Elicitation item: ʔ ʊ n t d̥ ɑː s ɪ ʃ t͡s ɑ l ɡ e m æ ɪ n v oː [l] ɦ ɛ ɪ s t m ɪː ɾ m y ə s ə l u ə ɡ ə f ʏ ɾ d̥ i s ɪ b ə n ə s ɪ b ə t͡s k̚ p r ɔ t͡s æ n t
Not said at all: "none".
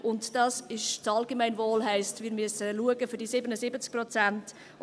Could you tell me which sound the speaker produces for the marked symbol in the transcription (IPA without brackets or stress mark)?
l